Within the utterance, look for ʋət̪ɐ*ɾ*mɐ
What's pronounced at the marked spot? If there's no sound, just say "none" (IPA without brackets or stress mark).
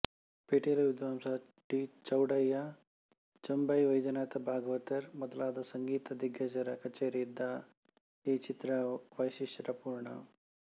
ɾ